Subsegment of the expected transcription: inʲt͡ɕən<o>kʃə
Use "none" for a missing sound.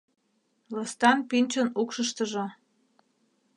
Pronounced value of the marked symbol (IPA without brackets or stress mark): u